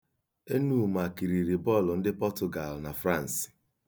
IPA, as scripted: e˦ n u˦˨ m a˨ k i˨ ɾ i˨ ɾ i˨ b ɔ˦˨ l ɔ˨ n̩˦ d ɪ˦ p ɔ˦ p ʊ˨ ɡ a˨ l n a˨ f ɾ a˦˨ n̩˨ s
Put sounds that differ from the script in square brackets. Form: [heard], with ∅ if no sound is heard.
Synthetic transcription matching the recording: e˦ n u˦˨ m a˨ k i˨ ɾ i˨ ɾ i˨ b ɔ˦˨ l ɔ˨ n̩˦ d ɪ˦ p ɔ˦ [t] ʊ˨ ɡ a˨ l n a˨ f ɾ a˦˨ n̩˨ s